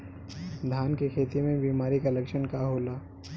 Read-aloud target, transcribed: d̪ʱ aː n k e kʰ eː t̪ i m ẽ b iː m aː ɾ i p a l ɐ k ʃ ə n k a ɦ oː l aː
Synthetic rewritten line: d̪ʱ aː n k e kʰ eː t̪ i m ẽ b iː m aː ɾ i k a l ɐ k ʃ ə n k a ɦ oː l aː